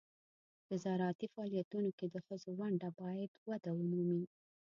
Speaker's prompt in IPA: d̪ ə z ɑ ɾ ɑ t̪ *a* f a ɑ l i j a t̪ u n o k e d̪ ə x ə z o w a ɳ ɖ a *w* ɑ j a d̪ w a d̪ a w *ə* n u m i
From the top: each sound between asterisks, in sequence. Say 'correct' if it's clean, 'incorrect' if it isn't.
incorrect: i, incorrect: b, correct

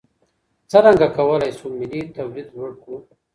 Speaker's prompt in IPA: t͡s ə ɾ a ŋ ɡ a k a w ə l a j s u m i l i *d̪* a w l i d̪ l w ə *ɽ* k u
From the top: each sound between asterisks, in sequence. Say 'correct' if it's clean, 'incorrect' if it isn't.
incorrect: t̪, correct

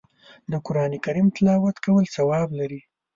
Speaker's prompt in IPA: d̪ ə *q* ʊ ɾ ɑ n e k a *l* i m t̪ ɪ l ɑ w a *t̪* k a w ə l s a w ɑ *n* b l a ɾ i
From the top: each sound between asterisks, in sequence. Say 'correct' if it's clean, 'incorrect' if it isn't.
incorrect: k, incorrect: ɾ, correct, incorrect: none

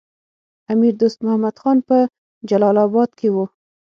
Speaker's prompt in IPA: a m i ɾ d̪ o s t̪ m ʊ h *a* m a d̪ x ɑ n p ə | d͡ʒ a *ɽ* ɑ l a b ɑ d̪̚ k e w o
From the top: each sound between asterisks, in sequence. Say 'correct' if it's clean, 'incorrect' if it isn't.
correct, incorrect: l

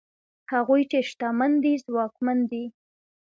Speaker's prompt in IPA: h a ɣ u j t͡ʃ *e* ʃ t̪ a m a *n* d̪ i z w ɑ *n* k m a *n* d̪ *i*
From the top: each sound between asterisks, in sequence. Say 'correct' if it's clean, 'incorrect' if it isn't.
correct, correct, incorrect: none, correct, correct

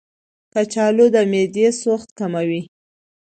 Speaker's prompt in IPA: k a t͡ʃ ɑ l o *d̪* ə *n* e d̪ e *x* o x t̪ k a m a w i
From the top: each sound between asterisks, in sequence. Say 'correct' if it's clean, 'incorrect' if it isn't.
correct, incorrect: m, incorrect: s

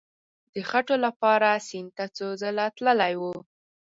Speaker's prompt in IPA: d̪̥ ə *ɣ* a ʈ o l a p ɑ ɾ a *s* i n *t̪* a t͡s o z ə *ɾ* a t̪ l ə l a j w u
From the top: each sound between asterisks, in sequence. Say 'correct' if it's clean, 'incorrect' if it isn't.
incorrect: x, correct, correct, incorrect: l

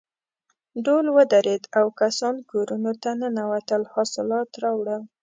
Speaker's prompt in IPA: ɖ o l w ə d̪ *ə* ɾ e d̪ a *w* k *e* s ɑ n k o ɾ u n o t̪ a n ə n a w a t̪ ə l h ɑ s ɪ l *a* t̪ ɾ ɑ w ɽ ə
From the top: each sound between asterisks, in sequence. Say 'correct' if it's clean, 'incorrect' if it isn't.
incorrect: a, correct, incorrect: a, incorrect: ɑ

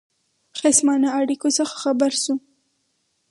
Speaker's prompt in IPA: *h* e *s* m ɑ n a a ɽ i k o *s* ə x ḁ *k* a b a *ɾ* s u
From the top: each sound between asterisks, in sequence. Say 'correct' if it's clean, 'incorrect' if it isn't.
incorrect: x, correct, correct, incorrect: x, correct

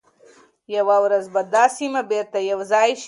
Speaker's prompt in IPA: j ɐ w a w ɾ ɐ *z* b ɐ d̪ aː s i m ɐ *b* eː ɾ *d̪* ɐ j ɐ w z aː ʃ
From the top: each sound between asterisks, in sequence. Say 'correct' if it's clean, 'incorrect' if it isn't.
correct, correct, incorrect: t̪

